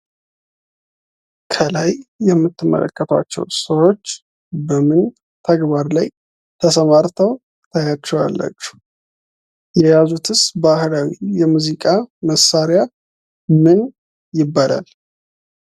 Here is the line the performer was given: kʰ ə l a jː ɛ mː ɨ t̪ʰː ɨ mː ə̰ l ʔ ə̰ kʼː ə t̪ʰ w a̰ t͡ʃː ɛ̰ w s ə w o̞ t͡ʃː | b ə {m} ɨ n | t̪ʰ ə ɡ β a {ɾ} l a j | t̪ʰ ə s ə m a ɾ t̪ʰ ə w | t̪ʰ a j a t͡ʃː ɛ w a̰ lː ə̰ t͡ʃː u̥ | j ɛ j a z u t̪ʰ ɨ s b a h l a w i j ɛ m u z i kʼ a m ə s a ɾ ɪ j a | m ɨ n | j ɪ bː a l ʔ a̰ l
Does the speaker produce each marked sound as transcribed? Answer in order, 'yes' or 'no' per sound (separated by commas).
yes, yes